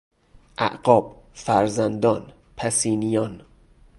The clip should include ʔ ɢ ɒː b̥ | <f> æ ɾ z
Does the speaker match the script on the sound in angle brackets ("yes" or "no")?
yes